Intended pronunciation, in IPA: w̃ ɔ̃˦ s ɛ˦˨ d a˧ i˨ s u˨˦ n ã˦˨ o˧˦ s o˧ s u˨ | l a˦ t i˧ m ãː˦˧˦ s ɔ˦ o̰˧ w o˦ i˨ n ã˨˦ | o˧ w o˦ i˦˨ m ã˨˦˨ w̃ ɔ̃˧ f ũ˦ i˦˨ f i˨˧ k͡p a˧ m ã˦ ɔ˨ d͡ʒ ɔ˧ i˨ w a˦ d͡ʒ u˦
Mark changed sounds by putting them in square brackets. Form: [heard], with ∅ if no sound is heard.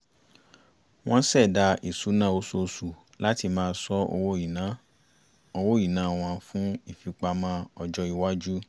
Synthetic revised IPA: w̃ ɔ̃˦ s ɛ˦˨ d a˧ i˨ s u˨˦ n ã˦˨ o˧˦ s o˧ s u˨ | l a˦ t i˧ m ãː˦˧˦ s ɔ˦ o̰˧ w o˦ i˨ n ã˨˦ | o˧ w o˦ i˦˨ [n] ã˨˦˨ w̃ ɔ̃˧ f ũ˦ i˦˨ f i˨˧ k͡p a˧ m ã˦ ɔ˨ d͡ʒ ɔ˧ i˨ w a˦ d͡ʒ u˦